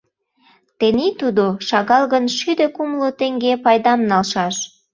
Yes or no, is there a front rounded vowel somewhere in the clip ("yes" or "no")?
yes